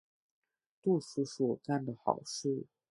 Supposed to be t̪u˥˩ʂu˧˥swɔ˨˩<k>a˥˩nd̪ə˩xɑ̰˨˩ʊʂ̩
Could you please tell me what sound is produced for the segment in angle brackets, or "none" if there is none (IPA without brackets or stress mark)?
k